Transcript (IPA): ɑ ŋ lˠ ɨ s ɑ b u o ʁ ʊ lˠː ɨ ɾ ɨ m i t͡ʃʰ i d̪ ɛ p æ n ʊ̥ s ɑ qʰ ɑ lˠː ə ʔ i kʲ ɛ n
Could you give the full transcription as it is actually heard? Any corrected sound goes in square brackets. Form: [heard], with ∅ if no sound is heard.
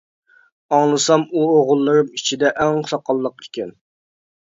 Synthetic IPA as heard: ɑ ŋ lˠ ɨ s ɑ [m] u o ʁ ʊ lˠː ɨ ɾ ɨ m i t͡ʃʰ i d̪ ɛ [ʔ] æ [ŋ] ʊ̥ s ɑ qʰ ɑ lˠː ə [q] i kʲ ɛ n